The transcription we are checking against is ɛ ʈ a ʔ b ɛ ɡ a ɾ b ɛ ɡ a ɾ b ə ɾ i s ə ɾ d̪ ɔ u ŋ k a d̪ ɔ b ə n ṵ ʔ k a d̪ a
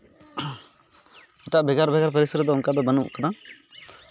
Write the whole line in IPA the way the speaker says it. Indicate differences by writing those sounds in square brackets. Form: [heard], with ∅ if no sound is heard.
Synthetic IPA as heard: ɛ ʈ a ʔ b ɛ ɡ a ɾ b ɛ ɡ a ɾ [p] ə ɾ i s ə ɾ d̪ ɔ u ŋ k a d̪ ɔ b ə n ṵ ʔ k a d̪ a